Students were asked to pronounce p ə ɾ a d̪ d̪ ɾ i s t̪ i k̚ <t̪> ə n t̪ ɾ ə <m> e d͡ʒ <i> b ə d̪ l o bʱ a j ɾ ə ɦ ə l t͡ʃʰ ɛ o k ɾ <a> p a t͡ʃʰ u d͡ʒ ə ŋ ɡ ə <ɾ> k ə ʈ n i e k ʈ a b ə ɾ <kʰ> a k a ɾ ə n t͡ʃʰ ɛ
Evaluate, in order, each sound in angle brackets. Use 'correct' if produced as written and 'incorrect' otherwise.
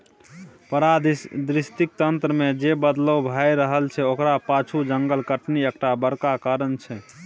correct, correct, incorrect: e, correct, incorrect: l, incorrect: k

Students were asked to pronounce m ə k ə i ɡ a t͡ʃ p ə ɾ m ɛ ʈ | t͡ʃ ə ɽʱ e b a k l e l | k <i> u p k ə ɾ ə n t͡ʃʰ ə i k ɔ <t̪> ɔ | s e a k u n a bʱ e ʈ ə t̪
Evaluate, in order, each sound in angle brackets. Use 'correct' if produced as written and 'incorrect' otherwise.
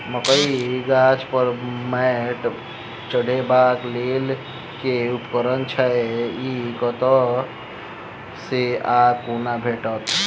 incorrect: e, correct

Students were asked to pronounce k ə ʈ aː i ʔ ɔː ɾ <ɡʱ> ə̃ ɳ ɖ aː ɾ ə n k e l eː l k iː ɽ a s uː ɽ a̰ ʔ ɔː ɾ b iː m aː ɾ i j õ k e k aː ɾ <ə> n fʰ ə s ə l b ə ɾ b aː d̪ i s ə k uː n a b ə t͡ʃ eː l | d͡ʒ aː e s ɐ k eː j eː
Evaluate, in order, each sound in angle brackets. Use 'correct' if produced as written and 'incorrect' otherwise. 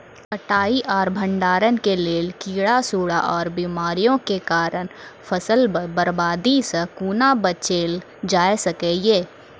incorrect: bʱ, correct

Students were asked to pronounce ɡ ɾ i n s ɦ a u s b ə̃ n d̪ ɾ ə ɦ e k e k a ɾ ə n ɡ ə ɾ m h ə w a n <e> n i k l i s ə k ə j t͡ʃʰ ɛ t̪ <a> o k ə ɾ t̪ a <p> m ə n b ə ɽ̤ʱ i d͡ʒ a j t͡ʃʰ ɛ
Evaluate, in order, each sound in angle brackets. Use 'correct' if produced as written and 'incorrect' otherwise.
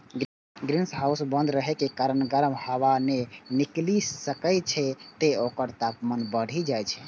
correct, incorrect: e, correct

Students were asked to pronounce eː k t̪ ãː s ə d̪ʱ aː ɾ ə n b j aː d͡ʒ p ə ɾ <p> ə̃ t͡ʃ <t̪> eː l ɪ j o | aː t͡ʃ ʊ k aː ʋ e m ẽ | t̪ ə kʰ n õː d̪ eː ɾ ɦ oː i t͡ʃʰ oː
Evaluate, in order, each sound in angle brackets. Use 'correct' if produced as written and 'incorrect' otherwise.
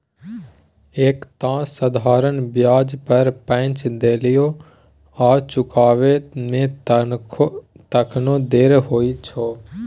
correct, incorrect: d̪

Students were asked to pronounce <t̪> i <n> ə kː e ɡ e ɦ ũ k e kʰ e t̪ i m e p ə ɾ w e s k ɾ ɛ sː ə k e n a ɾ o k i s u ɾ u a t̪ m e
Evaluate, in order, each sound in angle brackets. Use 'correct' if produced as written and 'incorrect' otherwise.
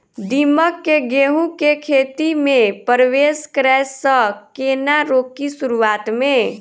incorrect: d̪, incorrect: m

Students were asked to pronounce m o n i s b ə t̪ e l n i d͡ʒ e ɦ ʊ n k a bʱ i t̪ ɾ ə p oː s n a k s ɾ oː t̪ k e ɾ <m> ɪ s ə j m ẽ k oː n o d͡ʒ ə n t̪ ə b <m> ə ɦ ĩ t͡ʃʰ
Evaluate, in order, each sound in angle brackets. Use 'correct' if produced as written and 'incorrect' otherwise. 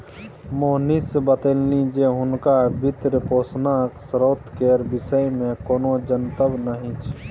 incorrect: b, incorrect: n

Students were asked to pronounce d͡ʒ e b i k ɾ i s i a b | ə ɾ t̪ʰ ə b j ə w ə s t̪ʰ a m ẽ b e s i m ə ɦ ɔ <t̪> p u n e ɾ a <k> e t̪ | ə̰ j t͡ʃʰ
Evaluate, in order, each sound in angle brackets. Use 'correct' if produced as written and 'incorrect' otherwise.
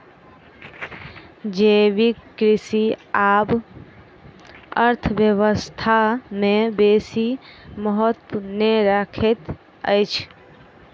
correct, incorrect: kʰ

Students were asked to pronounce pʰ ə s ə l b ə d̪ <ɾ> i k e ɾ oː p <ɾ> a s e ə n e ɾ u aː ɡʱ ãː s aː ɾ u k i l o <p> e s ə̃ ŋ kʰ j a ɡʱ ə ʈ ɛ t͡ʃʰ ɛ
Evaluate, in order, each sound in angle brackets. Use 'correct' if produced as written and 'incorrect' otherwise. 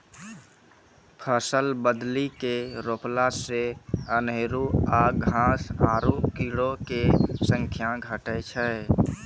incorrect: l, incorrect: l, incorrect: k

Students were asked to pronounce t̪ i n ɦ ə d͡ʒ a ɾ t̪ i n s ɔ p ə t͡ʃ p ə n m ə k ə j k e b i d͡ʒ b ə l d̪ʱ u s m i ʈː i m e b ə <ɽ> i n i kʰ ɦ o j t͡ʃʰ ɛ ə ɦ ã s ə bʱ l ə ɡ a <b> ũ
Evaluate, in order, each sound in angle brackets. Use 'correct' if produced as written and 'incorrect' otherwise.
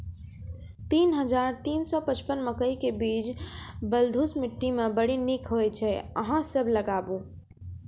correct, correct

